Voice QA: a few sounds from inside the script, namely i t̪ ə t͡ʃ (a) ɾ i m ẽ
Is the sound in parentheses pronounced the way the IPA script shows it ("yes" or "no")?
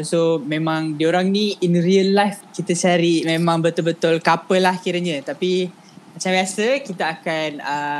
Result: yes